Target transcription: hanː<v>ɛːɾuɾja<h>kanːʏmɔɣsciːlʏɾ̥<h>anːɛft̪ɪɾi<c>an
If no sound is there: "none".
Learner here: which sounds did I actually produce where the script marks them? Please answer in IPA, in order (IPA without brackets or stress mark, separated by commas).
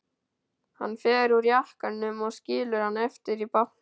f, h, h, p